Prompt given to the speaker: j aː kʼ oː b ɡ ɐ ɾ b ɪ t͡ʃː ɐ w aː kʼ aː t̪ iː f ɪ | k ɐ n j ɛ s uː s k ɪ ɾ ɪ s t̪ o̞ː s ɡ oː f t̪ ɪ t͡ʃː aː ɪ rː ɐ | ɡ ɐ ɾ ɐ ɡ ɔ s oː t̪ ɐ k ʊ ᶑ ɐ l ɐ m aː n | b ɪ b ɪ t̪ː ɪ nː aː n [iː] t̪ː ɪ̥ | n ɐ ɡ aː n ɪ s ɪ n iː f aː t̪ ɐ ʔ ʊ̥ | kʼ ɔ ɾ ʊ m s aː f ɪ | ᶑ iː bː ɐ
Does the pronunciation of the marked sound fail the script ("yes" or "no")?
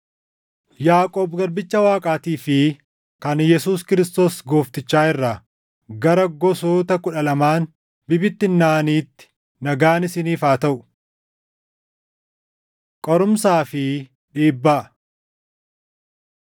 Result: no